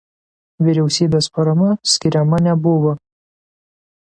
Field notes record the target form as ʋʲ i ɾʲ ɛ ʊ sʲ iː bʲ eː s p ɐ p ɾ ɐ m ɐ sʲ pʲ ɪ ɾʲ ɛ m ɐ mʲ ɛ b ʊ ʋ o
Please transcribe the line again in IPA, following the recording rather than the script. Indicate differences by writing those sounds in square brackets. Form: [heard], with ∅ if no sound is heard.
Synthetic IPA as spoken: ʋʲ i ɾʲ ɛ ʊ sʲ iː bʲ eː s p ɐ [∅] ɾ ɐ m ɐ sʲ [kʲ] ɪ ɾʲ ɛ m ɐ [nʲ] ɛ b ʊ ʋ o

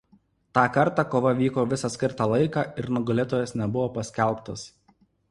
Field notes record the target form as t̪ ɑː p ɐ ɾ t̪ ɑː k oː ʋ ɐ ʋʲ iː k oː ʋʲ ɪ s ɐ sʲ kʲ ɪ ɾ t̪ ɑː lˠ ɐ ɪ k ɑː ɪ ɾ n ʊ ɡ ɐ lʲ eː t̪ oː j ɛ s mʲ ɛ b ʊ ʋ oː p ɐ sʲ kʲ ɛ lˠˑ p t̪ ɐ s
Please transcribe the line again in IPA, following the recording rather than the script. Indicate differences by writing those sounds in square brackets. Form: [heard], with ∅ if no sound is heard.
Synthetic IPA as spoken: t̪ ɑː [k] ɐ ɾ t̪ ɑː k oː ʋ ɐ ʋʲ iː k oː ʋʲ ɪ s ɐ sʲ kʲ ɪ ɾ t̪ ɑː lˠ ɐ ɪ k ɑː ɪ ɾ n ʊ ɡ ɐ lʲ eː t̪ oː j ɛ s [nʲ] ɛ b ʊ ʋ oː p ɐ sʲ kʲ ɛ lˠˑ p t̪ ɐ s

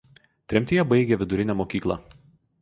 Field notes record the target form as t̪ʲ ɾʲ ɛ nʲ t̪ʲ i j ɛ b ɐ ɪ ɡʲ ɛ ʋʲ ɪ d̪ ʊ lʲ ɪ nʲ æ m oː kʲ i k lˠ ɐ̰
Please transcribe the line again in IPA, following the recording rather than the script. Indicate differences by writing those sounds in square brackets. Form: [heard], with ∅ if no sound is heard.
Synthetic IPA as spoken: t̪ʲ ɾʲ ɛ [mʲ] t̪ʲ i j ɛ b ɐ ɪ ɡʲ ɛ ʋʲ ɪ d̪ ʊ [ɾʲ] ɪ nʲ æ m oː kʲ [iː] k lˠ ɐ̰

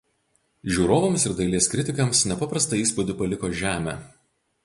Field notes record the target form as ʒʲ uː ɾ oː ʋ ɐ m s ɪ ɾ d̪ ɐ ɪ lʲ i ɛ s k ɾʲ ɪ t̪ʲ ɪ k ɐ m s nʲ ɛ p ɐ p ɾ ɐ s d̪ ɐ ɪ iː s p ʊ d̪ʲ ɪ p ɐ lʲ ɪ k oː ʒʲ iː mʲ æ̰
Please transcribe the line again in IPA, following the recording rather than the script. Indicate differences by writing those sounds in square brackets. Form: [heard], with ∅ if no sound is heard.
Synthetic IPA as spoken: ʒʲ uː ɾ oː ʋ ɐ m s ɪ ɾ d̪ ɐ ɪ lʲ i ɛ s k ɾʲ ɪ t̪ʲ ɪ k ɐ m s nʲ ɛ p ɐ p ɾ ɐ s [t̪] ɐ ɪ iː s p ʊ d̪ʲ ɪ p ɐ lʲ ɪ k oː ʒʲ [æː] mʲ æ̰

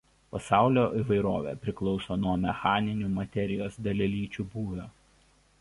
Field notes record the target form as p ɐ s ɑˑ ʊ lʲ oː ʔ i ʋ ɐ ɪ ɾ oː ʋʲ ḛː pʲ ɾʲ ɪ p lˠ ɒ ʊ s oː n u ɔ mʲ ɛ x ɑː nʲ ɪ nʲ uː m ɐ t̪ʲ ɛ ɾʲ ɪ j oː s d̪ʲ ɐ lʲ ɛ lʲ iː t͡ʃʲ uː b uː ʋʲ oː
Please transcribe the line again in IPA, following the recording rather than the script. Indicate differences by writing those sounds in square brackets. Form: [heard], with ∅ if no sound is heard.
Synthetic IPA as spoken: p ɐ s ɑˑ ʊ lʲ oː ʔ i ʋ ɐ ɪ ɾ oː ʋʲ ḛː pʲ ɾʲ ɪ [k] lˠ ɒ ʊ s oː n u ɔ mʲ ɛ x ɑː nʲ ɪ nʲ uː m ɐ t̪ʲ ɛ ɾʲ ɪ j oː s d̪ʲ ɐ lʲ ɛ lʲ iː t͡ʃʲ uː b uː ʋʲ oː

